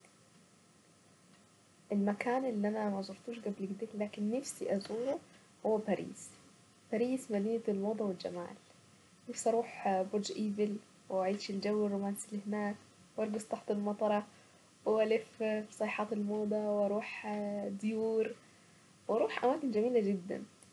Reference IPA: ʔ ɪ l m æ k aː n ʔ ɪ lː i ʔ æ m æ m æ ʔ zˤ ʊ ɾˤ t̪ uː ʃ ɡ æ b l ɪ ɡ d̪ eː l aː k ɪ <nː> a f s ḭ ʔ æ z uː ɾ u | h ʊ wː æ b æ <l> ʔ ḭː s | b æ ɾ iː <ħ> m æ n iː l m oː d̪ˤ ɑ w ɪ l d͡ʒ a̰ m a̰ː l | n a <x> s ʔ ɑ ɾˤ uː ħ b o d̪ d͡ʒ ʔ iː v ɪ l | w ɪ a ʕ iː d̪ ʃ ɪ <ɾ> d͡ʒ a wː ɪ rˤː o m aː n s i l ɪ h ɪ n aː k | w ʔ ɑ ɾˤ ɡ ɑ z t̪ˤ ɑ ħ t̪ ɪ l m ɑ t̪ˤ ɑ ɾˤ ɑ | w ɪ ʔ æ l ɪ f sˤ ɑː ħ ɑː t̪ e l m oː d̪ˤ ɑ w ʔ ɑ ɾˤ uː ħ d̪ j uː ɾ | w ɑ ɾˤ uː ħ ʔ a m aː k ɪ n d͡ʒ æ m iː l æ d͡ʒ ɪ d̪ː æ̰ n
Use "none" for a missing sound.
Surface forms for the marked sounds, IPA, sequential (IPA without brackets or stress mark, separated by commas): nː, ɾ, s, f, l